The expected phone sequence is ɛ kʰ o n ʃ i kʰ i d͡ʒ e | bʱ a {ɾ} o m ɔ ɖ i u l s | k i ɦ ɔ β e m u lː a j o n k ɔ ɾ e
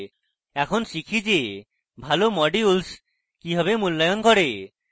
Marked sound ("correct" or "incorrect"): incorrect